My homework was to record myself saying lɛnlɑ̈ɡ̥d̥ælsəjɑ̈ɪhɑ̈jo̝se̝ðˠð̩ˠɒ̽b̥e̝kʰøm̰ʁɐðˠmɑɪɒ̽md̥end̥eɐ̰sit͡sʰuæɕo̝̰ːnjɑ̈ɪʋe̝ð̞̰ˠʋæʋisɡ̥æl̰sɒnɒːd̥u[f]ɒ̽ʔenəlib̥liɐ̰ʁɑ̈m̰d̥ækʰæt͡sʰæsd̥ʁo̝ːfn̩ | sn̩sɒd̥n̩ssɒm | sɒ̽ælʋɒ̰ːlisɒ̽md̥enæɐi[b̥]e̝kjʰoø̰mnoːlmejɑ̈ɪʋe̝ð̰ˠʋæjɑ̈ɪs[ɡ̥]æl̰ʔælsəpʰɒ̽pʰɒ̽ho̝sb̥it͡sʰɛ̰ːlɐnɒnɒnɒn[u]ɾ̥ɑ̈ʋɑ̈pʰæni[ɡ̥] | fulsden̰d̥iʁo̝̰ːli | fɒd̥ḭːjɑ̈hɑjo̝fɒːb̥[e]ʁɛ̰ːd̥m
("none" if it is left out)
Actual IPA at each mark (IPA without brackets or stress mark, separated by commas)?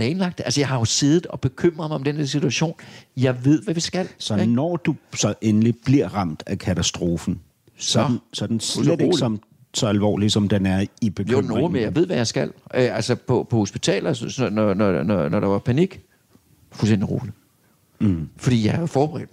s, b̥, ɡ̥, ɒ, ɡ̥, e